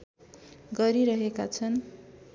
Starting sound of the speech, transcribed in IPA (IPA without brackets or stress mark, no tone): ɡ